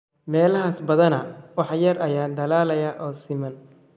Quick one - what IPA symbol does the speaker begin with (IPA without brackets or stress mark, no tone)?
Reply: m